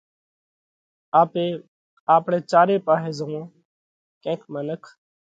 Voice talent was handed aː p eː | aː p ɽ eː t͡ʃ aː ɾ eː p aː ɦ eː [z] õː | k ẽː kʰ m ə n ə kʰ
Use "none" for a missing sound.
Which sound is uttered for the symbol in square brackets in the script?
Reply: z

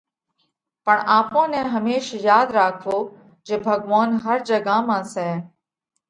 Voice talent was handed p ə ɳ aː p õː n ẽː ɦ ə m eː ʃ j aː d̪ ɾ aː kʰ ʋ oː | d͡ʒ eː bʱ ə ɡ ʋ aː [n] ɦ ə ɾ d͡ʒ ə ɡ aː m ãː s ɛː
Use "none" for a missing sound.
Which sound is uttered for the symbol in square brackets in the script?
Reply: n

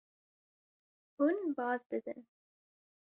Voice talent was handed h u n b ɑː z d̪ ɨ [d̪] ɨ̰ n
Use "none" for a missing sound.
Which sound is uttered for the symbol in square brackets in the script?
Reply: d̪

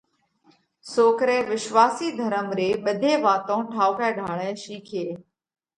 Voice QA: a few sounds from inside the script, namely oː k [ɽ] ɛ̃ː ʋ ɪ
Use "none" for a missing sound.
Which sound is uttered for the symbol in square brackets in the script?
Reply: ɾ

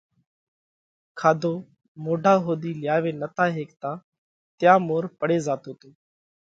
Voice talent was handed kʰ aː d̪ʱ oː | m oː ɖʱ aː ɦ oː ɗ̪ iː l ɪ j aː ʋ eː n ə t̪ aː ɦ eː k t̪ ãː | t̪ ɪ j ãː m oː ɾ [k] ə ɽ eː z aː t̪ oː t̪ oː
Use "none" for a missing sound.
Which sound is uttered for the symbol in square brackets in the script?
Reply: p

